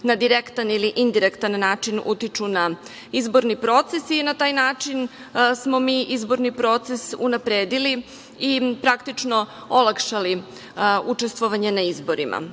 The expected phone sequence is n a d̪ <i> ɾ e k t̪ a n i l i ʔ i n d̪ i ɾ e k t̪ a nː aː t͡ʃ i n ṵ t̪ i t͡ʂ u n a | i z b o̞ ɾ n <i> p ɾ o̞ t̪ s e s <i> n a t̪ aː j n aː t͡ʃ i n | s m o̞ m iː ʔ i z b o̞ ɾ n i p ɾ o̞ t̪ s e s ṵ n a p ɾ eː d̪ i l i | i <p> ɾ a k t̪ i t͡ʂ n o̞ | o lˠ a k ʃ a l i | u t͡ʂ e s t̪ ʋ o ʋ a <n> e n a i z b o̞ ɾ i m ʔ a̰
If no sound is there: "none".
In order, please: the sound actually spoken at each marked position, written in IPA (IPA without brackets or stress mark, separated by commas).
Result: i, i, i, p, ɲ